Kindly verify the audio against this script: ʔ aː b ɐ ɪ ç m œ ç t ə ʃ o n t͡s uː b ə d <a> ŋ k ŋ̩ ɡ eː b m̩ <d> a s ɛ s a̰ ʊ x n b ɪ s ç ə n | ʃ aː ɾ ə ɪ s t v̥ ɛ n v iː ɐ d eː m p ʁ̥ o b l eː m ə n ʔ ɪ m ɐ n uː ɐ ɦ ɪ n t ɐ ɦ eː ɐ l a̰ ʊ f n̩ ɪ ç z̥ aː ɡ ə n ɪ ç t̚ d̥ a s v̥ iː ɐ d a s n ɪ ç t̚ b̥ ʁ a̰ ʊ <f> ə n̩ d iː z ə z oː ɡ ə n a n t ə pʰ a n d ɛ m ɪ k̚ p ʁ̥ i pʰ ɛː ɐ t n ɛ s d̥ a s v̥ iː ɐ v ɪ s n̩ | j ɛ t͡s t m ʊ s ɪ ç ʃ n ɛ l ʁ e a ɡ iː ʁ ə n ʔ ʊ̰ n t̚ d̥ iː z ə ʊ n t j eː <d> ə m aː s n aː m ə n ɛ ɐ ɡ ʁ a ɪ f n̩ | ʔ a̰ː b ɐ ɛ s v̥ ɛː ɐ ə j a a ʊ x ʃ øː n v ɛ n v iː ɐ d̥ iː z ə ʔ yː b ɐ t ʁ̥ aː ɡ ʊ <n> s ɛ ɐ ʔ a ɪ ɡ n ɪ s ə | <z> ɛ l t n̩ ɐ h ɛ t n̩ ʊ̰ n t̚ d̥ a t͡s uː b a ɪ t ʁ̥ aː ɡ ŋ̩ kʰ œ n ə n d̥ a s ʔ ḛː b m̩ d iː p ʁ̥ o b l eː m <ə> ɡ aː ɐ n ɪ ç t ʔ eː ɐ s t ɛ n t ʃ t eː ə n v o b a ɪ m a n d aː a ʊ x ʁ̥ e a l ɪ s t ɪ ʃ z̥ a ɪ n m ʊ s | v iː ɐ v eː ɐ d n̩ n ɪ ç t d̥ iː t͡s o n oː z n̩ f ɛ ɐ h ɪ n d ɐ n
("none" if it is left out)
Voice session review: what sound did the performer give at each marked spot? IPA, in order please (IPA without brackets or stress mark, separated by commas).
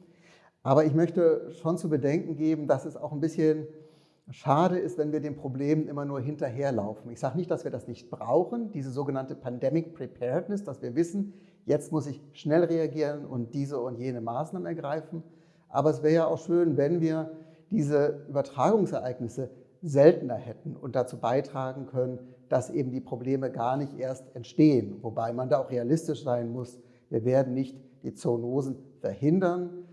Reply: ɛ, d, x, n, ŋ, z, ə